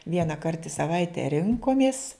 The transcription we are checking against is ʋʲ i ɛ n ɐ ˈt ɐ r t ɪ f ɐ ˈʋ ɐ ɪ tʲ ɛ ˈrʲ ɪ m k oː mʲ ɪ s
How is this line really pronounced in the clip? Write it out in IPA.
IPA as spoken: ʋʲ i ɛ n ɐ ˈk ɐ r t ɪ s ɐ ˈʋ ɐ ɪ tʲ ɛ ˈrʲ ɪ ŋ k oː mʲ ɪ s